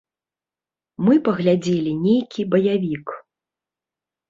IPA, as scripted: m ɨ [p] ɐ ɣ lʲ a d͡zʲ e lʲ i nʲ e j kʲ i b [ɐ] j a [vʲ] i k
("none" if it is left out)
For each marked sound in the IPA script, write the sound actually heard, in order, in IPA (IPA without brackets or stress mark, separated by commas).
p, ɐ, vʲ